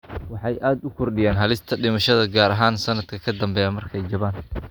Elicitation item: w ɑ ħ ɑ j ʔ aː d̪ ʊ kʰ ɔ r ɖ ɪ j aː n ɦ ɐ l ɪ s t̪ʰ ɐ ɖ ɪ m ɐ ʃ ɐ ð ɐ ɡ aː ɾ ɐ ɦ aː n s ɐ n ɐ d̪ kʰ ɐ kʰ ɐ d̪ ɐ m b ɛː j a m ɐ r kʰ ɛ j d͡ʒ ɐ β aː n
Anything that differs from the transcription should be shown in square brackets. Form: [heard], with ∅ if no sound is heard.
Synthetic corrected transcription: w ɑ ħ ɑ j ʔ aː d̪ ʊ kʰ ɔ r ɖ ɪ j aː n ɦ ɐ l ɪ s t̪ʰ ɐ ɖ ɪ m ɐ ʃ ɐ ð ɐ ɡ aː ɾ ɐ ɦ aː n s ɐ n ɐ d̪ kʰ ɐ kʰ ɐ d̪ ɐ m b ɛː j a m ɐ r kʰ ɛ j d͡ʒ ɐ β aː n